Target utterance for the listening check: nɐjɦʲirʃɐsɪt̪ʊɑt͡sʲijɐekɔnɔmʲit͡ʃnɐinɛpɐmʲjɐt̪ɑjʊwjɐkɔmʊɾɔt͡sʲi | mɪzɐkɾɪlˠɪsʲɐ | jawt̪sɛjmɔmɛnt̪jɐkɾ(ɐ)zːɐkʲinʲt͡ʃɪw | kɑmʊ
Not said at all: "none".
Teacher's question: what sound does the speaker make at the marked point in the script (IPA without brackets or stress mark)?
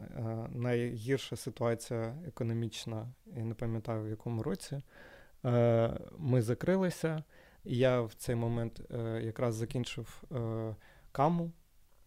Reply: ɑ